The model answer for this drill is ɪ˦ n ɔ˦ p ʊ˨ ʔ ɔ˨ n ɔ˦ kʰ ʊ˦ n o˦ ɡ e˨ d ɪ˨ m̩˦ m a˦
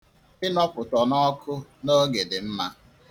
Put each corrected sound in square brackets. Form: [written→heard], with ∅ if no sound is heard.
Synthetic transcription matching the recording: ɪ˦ n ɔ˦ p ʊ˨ [ʔ→t] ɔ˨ n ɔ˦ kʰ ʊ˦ n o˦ ɡ e˨ d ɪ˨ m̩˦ m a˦